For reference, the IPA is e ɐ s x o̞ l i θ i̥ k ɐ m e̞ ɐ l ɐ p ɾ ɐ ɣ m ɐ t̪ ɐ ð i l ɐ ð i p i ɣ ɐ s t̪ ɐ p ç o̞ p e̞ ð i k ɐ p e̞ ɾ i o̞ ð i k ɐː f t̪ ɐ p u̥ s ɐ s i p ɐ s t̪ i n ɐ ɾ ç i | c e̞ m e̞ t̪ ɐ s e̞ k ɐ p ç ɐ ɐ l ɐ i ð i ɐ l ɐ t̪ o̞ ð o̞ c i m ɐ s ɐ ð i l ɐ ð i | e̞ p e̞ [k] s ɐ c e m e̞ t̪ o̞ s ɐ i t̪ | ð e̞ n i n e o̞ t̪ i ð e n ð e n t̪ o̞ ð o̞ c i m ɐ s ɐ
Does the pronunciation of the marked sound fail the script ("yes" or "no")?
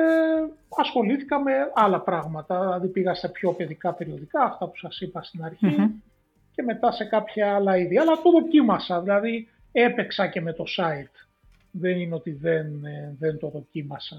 no